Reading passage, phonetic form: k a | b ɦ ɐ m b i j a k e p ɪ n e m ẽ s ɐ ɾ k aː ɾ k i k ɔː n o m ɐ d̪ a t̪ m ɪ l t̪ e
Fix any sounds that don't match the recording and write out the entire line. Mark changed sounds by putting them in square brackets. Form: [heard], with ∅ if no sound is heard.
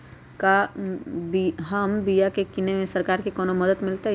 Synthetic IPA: k a | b ɦ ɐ m b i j a k e [k] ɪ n e m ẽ s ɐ ɾ k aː ɾ k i k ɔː n o m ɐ d̪ [ə] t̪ m ɪ l t̪ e